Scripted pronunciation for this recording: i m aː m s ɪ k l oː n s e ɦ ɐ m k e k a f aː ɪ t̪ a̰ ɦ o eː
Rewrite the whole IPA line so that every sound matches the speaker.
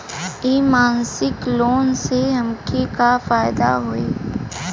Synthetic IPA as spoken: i m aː n s ɪ k l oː n s e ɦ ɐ m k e k a f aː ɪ d̪ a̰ ɦ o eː